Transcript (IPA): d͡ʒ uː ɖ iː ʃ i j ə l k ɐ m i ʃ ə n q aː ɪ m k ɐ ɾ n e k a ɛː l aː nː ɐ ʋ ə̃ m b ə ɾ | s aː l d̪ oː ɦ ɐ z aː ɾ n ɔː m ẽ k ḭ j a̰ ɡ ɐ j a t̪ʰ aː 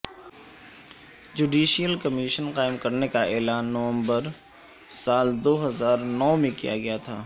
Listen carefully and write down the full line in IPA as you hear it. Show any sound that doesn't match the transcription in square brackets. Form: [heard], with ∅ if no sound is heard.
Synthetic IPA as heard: d͡ʒ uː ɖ iː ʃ i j ə l k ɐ m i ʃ ə n q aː ɪ m k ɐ ɾ n e k a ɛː l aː nː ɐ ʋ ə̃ m b ə ɾ | s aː l d̪ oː ɦ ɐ z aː ɾ n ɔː m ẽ k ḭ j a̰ ɡ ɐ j a t̪ʰ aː